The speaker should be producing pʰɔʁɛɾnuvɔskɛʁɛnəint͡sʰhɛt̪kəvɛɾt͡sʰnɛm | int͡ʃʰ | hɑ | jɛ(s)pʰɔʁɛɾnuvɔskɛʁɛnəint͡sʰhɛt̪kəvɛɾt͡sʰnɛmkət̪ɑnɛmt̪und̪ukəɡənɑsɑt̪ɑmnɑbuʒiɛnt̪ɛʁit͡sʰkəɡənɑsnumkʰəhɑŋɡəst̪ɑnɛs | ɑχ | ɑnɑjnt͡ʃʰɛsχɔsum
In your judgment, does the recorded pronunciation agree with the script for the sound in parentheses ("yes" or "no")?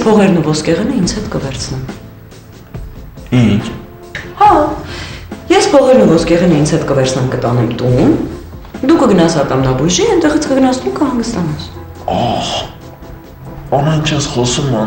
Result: yes